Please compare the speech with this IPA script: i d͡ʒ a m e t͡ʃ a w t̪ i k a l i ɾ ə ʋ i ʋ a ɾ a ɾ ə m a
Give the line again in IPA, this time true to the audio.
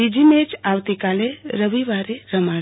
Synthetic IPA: i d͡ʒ i m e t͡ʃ a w t̪ i k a l e ɾ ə ʋ i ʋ a ɾ e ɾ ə m a